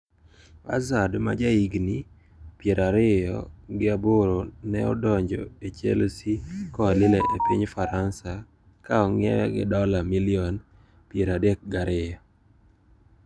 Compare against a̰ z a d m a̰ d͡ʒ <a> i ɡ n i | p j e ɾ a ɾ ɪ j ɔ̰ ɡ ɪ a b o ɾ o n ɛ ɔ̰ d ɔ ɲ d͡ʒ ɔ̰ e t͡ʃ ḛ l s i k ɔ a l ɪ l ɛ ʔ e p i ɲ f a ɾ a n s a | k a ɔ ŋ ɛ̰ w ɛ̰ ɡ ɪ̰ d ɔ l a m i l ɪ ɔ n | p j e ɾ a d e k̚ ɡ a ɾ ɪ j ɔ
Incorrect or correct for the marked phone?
correct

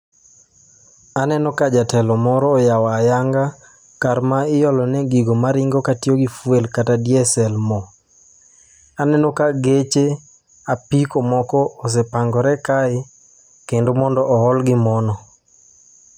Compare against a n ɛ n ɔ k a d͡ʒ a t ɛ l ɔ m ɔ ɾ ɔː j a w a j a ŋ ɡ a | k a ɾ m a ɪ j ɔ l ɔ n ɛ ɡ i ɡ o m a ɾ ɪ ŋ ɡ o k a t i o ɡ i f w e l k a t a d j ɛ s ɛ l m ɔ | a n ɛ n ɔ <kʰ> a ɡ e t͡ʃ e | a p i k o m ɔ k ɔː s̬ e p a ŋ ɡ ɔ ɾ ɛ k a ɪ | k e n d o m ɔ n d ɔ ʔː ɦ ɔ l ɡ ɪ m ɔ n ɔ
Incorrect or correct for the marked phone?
incorrect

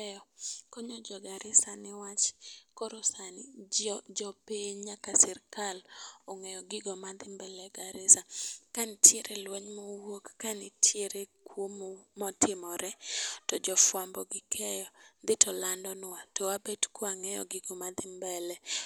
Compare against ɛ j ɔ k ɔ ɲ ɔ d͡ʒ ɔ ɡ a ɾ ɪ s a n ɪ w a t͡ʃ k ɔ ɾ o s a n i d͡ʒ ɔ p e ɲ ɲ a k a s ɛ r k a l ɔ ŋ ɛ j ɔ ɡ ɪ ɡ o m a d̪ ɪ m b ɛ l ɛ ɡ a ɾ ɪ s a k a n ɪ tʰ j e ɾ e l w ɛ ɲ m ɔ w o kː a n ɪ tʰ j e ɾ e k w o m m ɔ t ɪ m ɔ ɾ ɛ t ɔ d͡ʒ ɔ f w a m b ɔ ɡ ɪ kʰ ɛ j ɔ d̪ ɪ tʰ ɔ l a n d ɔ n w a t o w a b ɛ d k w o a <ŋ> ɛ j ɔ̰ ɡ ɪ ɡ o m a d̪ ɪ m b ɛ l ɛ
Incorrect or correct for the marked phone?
correct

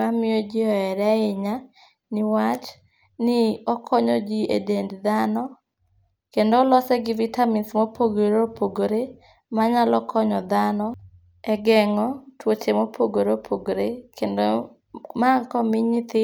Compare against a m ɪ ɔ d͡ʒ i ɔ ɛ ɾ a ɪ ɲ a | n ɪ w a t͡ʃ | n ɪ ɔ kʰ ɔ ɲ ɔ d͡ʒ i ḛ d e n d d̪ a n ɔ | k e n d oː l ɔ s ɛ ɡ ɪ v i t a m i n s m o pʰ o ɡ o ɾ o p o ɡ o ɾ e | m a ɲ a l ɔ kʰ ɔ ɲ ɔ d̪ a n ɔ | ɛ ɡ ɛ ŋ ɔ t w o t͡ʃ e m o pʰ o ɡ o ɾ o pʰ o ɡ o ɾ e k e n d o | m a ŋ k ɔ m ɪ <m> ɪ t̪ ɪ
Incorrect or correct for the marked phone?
incorrect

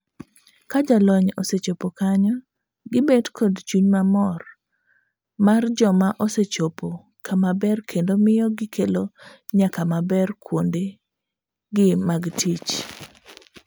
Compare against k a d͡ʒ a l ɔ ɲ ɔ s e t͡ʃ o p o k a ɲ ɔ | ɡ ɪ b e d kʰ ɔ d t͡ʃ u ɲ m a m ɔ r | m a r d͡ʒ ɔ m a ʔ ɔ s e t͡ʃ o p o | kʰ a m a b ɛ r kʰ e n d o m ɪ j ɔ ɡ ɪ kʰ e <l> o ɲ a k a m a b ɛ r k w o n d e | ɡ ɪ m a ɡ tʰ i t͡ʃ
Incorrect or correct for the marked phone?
correct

